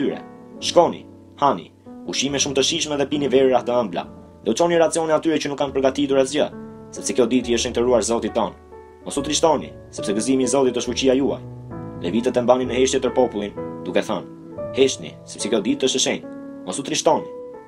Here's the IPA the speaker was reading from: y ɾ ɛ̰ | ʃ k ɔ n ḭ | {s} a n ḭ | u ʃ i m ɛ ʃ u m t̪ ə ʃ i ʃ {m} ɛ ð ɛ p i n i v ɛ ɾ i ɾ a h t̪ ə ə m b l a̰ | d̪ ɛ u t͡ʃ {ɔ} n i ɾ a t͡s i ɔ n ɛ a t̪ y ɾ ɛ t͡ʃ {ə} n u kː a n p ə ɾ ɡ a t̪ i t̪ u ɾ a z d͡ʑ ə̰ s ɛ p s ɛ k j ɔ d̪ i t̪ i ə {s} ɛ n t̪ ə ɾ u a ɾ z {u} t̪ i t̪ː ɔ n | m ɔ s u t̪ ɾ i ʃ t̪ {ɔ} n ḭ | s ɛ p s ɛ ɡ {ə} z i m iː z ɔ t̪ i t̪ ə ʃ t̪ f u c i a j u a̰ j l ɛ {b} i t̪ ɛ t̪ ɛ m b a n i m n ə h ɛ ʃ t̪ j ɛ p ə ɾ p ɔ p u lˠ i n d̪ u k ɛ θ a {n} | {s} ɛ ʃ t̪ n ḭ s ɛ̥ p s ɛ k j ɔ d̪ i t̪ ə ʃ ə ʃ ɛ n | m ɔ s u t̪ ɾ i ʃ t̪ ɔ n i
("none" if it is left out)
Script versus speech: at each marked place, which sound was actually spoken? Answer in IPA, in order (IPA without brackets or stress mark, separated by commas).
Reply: h, m, ɔ, ə, ʃ, ɔ, ɔ, ə, v, n, h